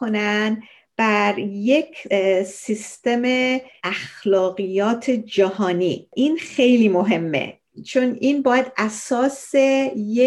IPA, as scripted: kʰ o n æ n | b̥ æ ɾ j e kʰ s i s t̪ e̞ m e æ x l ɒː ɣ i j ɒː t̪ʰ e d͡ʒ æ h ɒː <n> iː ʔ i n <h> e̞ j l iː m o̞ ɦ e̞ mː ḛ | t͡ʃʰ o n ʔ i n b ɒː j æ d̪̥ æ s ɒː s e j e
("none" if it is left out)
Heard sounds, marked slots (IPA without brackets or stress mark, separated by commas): n, x